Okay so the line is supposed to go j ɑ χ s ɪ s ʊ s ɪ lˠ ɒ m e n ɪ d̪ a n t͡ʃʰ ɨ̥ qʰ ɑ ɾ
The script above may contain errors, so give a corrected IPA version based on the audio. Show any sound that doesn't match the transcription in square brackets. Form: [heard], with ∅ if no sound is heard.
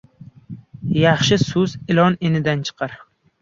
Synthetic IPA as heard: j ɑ χ [ʃ] ɪ s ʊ [z] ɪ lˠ ɒ [n] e n ɪ d̪ a n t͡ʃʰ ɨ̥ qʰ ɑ ɾ